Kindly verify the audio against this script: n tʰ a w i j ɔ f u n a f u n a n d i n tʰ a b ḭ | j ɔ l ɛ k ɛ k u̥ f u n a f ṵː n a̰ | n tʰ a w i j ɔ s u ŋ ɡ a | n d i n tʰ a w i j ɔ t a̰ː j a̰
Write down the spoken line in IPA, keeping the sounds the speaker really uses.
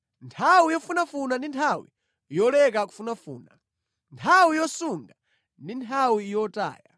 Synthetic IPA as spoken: n tʰ a w i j ɔ f u n a f u n a n d i n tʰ a w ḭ | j ɔ l ɛ k a k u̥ f u n a f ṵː n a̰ | n tʰ a w i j ɔ s u ŋ ɡ a | n d i n tʰ a w i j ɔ t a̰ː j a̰